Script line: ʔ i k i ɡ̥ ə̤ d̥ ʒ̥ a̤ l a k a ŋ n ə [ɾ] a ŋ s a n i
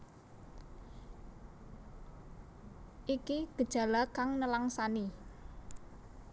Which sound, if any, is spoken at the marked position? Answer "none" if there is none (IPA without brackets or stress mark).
l